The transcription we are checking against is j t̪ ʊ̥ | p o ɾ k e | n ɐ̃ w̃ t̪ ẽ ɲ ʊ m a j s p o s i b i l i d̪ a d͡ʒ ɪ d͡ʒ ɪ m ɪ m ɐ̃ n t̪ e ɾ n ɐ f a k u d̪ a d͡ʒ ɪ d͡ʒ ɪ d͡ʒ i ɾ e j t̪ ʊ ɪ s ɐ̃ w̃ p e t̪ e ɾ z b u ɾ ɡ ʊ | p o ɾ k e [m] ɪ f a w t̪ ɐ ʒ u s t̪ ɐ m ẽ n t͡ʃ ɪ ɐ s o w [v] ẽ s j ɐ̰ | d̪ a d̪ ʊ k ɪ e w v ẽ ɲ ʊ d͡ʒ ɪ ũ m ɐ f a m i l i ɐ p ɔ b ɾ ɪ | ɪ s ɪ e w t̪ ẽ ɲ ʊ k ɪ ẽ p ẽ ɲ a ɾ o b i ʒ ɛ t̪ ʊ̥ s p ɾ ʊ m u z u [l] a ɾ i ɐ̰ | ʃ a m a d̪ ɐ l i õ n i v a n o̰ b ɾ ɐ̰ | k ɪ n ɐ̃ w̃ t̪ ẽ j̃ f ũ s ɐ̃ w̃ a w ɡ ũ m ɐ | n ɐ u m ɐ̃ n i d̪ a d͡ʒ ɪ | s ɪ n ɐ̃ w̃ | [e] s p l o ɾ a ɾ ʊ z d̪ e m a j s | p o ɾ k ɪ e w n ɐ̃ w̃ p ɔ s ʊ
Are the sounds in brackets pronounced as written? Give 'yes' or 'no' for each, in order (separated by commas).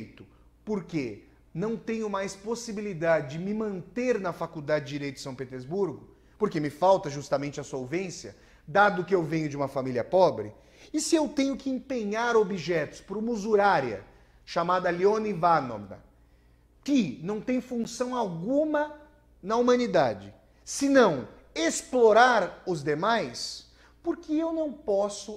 yes, yes, no, yes